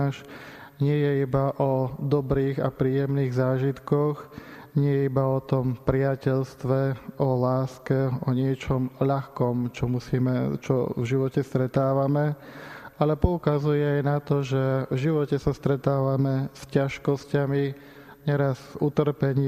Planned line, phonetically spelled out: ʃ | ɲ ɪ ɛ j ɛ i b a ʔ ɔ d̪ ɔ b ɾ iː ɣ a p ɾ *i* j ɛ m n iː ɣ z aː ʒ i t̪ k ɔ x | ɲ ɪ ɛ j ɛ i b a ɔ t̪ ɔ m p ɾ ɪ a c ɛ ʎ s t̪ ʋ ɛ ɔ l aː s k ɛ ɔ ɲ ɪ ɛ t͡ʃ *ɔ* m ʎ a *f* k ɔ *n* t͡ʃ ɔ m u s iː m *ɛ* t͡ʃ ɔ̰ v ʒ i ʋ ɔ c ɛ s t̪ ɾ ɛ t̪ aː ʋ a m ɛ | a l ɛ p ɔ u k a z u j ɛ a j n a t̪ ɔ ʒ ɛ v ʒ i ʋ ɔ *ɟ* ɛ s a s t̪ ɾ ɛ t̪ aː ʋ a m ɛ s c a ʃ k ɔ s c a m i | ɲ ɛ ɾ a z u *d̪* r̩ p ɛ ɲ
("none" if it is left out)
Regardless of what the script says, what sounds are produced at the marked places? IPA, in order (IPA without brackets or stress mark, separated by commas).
iː, ɔ, x, m, ɛ, c, t̪